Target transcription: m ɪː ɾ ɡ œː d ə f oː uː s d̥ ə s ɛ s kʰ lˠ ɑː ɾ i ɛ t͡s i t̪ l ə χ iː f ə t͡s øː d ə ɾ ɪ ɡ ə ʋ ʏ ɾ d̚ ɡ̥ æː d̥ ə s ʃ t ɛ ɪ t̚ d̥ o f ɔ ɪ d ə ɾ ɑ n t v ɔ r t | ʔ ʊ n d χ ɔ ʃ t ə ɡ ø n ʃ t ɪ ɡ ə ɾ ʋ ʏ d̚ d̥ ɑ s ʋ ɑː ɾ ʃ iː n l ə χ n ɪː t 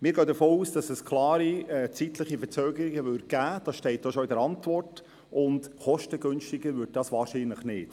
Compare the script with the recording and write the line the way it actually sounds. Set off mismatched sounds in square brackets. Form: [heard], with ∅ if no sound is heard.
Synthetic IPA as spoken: m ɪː ɾ ɡ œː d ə f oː uː s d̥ [ɑ] s ɛ s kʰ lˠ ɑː ɾ i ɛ t͡s i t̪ l ə χ [i] f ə t͡s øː [ɡ] ə ɾ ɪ ɡ ə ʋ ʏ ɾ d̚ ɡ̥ æː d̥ [ɑ] s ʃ t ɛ ɪ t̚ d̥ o [ʃ] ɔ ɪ d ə ɾ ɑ n t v ɔ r t | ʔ ʊ n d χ ɔ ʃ t ə ɡ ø n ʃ t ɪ ɡ ə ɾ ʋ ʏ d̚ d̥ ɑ s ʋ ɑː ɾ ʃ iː n l ə χ n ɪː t